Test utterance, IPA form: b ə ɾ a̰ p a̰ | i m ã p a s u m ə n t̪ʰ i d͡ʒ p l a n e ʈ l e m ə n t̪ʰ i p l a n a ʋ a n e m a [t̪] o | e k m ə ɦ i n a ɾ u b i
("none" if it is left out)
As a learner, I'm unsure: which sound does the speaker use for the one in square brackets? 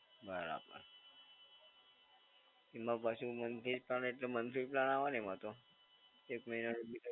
t̪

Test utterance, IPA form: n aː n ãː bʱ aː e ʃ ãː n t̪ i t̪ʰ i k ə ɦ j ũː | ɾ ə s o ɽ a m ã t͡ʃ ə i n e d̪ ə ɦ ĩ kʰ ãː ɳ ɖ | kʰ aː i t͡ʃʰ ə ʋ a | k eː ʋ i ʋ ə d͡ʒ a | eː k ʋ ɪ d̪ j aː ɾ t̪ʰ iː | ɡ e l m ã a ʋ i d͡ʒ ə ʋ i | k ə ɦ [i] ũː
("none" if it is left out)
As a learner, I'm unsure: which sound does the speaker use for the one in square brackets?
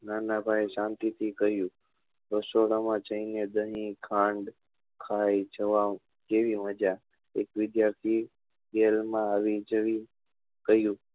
j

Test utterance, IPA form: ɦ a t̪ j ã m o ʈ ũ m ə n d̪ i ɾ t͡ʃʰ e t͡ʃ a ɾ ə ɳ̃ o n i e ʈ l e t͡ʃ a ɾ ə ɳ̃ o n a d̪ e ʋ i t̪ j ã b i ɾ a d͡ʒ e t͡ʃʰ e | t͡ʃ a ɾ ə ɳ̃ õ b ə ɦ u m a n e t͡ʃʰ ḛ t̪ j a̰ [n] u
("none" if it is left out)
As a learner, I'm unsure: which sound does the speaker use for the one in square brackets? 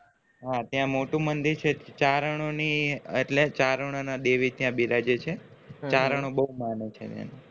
n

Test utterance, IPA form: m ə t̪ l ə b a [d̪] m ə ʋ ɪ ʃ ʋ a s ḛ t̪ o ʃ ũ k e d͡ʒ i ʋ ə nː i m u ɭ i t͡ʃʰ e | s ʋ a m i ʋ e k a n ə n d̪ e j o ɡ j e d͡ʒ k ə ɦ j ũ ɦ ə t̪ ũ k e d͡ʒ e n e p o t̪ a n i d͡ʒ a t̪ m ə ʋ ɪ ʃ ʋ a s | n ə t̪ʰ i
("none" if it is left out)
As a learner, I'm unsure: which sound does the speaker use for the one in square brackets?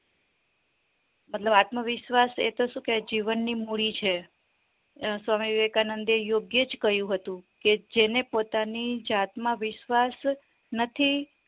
t̪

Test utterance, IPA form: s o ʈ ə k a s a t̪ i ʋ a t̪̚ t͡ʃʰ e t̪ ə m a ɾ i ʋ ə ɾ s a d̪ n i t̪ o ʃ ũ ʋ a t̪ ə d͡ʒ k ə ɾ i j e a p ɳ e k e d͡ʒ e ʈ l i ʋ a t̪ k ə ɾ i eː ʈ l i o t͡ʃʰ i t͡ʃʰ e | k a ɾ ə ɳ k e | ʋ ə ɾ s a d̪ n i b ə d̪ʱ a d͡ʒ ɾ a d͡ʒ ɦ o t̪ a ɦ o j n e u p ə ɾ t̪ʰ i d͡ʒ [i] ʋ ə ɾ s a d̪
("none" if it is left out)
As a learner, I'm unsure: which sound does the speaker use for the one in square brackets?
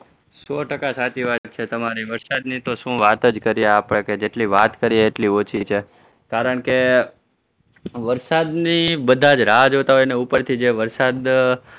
e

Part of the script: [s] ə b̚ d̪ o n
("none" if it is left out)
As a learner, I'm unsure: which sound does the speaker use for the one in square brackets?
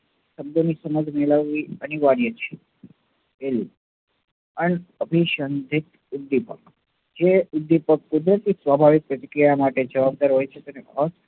ʃ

